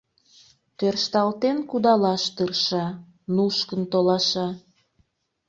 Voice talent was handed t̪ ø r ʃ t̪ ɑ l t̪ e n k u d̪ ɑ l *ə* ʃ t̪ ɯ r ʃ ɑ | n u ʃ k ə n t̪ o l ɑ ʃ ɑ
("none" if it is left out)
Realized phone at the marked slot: ɑ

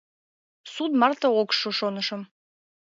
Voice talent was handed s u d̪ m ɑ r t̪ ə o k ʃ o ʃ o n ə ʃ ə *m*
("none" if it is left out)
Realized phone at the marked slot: m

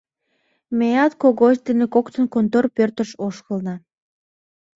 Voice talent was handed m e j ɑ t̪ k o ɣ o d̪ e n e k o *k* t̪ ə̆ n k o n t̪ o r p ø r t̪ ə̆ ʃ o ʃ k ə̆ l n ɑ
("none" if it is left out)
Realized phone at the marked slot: k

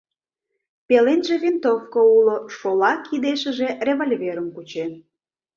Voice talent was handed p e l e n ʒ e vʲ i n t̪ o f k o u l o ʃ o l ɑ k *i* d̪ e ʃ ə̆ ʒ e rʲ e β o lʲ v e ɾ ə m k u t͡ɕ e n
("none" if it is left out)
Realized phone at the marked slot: i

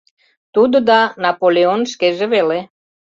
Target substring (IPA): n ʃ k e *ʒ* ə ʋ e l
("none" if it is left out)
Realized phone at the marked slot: ʒ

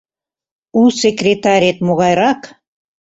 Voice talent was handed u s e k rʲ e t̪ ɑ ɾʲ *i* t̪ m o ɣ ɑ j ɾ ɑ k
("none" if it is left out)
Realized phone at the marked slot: e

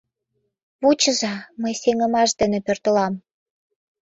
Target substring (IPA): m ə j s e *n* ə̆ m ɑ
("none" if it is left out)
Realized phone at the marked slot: ŋ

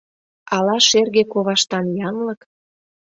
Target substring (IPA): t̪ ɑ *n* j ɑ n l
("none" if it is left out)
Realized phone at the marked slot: n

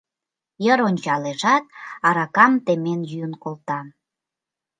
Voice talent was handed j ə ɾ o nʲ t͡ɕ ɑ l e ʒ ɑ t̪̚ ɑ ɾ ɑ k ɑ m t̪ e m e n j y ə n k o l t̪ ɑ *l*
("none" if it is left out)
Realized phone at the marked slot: none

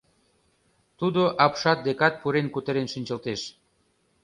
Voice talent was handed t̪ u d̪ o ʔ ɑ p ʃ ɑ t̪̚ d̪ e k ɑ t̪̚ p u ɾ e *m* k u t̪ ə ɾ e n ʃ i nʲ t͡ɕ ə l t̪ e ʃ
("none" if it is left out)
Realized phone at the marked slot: n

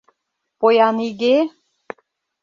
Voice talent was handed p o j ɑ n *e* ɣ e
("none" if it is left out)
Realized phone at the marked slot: i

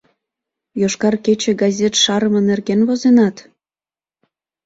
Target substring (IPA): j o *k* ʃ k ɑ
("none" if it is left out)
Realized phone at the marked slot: none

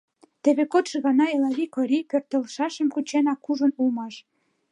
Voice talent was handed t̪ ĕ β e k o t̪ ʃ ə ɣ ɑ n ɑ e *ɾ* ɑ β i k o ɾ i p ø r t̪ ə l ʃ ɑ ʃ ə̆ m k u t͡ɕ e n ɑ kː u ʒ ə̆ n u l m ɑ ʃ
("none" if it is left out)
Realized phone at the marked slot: l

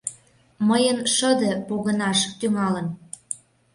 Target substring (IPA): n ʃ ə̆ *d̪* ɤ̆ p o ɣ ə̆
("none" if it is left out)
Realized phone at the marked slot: d̪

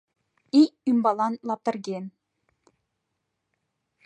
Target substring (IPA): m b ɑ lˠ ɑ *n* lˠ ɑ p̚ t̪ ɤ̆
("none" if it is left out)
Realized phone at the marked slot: n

